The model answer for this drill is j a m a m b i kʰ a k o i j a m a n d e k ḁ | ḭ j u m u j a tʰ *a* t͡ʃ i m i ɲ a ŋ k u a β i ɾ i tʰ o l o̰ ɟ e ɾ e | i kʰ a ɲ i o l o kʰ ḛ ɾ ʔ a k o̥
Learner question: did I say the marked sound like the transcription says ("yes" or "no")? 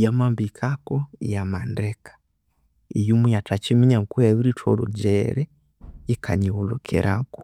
yes